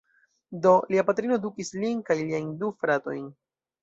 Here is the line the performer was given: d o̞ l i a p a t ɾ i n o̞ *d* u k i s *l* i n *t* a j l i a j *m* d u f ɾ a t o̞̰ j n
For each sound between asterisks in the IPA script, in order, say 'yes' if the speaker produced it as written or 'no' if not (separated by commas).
yes, yes, no, no